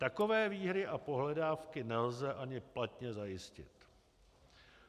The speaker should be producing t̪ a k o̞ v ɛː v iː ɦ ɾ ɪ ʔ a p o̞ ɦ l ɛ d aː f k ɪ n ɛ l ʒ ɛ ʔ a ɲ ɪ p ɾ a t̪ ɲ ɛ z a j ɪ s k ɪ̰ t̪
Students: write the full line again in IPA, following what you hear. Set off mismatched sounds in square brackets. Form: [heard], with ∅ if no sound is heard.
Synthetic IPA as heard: t̪ a k o̞ v ɛː v iː ɦ ɾ ɪ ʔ a p o̞ ɦ l ɛ d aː f k ɪ n ɛ l [z] ɛ ʔ a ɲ ɪ p [l] a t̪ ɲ ɛ z a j ɪ s [c] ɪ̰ t̪